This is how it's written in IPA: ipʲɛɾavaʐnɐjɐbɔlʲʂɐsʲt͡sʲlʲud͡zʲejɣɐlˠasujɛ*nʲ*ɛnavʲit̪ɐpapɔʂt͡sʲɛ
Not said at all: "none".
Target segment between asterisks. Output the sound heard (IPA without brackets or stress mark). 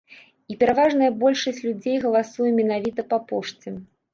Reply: mʲ